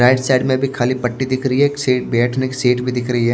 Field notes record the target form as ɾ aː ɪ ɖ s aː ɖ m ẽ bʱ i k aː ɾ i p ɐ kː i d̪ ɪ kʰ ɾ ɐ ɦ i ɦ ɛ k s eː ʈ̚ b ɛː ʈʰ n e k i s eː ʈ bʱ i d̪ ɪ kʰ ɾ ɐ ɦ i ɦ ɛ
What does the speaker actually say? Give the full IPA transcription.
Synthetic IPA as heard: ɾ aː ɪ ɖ s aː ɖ m ẽ bʱ i kʰ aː l i p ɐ ʈː i d̪ ɪ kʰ ɾ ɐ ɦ i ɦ ɛ k s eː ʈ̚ b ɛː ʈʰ n e k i s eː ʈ bʱ i d̪ ɪ kʰ ɾ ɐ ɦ i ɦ ɛ